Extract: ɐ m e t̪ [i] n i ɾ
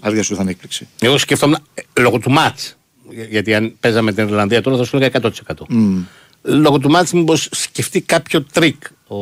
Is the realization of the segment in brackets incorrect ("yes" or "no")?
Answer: no